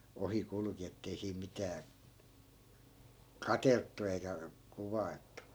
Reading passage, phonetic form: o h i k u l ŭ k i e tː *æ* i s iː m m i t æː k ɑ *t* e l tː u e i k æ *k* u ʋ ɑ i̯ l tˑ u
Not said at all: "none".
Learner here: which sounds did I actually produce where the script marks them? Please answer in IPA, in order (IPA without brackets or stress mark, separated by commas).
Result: e, t, k